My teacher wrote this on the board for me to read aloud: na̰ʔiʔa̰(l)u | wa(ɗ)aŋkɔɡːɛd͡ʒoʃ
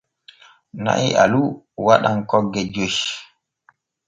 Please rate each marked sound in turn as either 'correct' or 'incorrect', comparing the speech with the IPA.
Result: correct, correct

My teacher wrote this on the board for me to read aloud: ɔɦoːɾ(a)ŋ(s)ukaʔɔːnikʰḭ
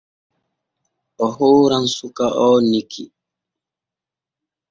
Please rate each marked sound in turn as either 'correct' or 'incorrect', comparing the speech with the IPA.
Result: correct, correct

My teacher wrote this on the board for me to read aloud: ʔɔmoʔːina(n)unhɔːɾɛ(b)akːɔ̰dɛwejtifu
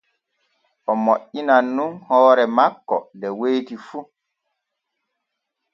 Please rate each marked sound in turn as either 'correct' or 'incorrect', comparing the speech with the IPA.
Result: incorrect: nː, incorrect: m

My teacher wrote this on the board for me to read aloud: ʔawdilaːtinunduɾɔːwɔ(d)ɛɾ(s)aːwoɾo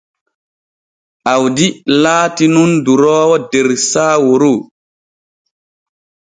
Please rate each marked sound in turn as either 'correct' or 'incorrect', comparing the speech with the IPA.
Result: correct, correct

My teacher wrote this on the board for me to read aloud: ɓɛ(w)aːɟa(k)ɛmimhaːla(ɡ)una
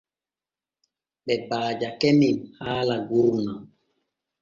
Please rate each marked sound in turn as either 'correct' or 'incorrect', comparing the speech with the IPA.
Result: incorrect: b, correct, correct

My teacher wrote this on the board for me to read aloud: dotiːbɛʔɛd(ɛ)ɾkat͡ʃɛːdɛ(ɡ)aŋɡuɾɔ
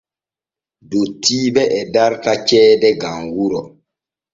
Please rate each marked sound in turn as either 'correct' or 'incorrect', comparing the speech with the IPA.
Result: incorrect: a, correct

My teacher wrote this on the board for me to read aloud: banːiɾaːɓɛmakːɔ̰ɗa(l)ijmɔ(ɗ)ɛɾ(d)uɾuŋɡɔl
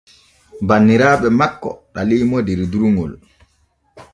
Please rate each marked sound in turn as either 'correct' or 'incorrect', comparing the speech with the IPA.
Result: correct, incorrect: d, correct

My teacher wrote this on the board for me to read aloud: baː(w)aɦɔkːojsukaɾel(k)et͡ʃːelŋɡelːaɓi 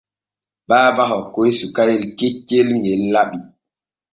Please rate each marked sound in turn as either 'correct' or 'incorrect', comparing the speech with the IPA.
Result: incorrect: b, correct

